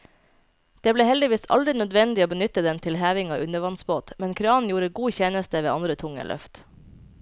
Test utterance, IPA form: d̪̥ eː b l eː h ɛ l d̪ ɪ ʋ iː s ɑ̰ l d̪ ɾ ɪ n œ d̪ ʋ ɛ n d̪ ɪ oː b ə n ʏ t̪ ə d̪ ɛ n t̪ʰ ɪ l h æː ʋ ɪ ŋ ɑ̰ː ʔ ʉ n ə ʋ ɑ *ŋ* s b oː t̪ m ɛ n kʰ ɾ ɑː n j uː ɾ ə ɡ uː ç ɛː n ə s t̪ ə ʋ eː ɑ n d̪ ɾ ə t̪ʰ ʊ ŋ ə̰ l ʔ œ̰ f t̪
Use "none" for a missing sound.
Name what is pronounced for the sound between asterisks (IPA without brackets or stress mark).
n